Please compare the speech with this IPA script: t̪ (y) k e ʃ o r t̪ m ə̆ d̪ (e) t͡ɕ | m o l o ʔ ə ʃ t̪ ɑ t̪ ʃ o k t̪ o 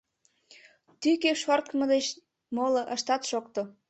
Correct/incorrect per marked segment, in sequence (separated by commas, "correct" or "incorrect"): correct, correct